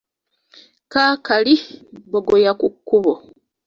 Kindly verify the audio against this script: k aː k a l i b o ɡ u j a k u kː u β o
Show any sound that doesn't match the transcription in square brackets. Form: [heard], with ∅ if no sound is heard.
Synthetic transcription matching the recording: k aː k a l i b o ɡ [o] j a k u kː u β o